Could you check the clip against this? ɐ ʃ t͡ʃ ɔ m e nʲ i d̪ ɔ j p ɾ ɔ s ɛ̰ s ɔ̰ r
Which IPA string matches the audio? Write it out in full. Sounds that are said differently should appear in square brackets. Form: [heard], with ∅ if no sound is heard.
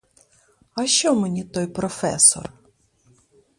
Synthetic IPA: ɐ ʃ t͡ʃ ɔ m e nʲ i [t̪] ɔ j p ɾ ɔ [f] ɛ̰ s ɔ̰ r